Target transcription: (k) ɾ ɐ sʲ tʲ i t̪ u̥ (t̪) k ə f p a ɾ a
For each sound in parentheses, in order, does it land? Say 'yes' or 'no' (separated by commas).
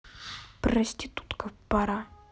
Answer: no, yes